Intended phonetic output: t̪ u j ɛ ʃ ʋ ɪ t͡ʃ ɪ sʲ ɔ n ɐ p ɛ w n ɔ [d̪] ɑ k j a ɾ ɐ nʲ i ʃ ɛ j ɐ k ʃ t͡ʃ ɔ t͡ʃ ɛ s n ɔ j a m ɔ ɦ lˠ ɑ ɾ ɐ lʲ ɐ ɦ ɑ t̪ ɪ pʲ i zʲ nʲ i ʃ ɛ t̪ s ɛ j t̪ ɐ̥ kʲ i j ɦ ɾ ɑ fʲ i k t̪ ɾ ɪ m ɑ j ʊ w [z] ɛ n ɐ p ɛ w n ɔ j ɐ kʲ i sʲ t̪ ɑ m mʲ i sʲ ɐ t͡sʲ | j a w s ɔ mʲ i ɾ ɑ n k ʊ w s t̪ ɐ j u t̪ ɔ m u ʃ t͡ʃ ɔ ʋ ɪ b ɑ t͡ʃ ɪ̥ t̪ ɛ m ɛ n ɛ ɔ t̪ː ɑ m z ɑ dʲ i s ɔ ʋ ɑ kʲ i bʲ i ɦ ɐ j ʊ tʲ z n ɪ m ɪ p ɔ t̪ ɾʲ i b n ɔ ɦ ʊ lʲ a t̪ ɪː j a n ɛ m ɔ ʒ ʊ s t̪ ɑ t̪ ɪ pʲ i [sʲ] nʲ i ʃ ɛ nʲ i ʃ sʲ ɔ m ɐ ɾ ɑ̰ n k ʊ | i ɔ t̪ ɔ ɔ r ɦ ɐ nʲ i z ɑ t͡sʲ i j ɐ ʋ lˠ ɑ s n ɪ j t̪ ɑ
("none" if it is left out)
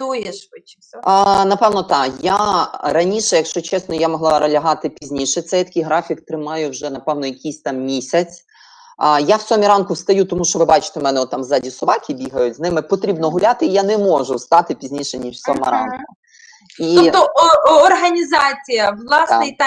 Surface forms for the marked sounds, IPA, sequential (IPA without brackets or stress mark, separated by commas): t̪, ʒ, zʲ